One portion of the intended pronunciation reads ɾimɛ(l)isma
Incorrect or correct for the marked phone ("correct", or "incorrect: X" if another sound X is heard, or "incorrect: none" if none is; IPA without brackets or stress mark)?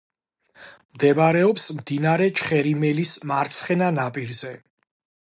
correct